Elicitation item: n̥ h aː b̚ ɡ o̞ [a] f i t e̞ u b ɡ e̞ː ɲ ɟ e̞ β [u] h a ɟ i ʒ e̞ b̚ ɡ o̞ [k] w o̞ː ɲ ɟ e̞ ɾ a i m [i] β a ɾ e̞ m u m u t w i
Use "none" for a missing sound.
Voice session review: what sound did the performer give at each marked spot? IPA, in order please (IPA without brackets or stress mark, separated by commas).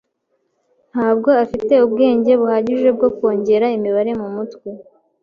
a, u, k, i